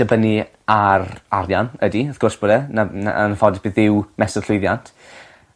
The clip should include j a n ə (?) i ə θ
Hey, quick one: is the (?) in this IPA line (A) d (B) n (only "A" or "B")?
A